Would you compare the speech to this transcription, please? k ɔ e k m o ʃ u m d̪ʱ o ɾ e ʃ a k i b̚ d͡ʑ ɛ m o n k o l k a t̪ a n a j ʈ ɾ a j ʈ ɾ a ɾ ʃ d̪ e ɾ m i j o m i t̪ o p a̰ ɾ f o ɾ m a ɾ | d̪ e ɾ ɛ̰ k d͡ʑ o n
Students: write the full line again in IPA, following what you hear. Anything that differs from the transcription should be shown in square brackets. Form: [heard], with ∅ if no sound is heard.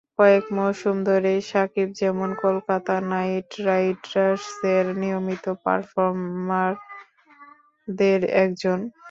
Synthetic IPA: k ɔ e k m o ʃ u m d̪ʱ o ɾ e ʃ a k i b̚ d͡ʑ ɛ m o n k o l k a t̪ a n a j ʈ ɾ a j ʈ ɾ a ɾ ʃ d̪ e ɾ [n] i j o m i t̪ o p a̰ ɾ f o ɾ m a ɾ | d̪ e ɾ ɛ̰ k d͡ʑ o n